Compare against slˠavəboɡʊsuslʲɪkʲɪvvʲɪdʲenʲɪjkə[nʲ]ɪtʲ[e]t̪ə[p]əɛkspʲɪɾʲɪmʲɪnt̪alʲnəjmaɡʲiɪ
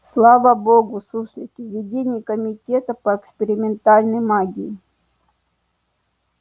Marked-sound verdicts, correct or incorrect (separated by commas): incorrect, correct, correct